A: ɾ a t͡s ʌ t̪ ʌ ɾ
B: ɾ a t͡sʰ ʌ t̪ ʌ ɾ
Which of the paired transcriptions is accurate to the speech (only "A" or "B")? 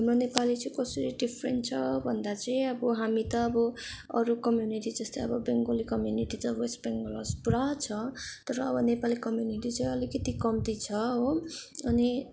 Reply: B